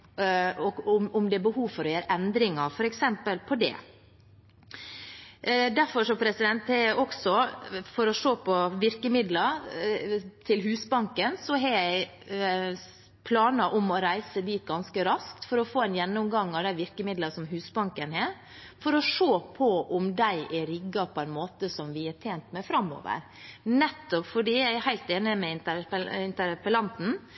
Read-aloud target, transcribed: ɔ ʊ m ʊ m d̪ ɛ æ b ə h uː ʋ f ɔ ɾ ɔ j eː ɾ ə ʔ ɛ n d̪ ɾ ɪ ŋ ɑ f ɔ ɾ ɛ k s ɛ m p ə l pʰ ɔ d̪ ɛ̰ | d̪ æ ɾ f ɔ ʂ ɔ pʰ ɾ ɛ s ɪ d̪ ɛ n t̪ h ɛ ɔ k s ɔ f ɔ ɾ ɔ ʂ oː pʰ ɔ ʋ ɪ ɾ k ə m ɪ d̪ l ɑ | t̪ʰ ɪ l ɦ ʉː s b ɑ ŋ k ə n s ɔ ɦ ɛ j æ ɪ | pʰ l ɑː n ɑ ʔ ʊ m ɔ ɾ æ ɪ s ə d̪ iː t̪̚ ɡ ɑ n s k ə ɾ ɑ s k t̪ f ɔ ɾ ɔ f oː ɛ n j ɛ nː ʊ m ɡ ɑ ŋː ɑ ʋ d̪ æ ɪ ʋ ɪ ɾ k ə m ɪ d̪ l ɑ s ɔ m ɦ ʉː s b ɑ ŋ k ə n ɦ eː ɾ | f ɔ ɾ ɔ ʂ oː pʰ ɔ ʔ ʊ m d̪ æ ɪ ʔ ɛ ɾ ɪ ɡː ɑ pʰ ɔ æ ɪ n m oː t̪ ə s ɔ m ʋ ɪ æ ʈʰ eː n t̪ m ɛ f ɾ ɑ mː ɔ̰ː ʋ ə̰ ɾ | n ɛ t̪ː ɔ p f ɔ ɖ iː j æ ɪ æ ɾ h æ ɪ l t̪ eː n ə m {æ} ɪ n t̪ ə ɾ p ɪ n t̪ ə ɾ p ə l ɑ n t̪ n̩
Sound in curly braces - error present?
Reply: yes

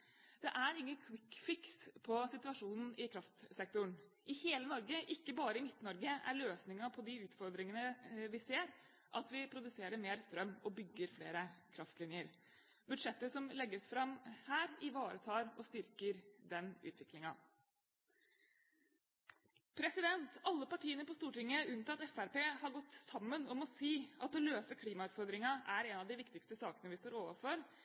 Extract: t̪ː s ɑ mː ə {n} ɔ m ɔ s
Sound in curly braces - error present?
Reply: no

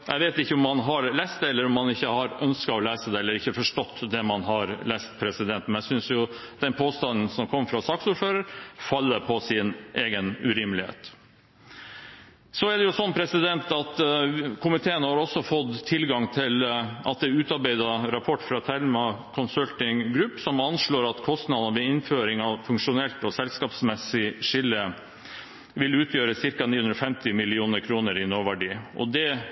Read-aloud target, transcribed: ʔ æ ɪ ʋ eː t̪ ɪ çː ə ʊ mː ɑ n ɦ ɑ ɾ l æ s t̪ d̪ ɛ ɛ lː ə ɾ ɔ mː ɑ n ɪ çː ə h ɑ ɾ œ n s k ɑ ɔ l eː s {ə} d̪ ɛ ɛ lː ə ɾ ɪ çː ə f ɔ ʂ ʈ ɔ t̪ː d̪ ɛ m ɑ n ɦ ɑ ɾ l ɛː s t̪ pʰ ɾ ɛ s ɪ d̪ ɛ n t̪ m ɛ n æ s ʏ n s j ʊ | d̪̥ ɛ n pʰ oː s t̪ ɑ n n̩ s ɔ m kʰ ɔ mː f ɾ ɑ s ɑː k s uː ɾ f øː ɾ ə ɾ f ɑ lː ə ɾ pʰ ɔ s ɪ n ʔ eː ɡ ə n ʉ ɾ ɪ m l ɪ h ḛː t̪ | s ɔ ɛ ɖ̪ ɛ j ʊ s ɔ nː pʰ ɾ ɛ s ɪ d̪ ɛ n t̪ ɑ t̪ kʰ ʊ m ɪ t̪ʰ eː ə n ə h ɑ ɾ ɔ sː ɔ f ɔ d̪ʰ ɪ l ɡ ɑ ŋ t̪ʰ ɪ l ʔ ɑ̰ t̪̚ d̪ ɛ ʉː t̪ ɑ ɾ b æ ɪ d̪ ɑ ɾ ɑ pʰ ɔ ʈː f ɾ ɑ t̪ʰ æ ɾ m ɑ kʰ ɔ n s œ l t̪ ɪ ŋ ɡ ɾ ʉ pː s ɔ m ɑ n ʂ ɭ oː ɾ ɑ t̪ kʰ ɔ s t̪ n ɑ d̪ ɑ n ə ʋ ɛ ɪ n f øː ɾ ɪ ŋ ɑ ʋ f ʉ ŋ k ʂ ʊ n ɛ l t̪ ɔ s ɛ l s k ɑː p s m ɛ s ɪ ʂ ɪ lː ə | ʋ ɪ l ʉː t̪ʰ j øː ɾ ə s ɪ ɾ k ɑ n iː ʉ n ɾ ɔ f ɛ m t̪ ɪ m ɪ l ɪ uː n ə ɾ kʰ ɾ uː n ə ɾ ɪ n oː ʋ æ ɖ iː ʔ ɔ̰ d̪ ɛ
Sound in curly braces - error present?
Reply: no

